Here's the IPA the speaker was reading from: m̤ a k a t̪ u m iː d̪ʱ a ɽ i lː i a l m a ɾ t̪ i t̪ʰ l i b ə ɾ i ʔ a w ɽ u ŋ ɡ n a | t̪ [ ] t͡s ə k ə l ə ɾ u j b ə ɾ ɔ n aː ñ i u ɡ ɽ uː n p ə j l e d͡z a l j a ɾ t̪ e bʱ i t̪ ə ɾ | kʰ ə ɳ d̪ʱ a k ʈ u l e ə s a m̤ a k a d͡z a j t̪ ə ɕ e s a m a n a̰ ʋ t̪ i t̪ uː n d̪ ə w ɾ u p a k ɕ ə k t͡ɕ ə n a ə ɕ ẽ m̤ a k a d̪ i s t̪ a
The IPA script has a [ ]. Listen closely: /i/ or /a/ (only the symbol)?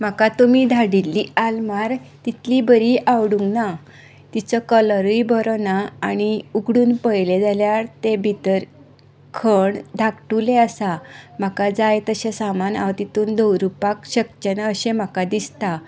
i